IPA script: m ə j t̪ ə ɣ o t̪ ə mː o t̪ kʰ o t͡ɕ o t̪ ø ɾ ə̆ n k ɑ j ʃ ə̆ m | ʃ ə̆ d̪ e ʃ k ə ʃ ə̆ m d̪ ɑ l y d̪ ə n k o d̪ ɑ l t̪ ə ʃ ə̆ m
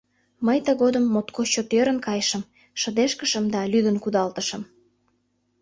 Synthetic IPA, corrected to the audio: m ə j t̪ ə ɣ o d̪ ə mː o t̪ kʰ o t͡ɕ o t̪ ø ɾ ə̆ n k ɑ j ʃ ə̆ m | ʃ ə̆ d̪ e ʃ k ə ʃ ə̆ m d̪ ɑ l y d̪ ə n k u d̪ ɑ l t̪ ə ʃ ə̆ m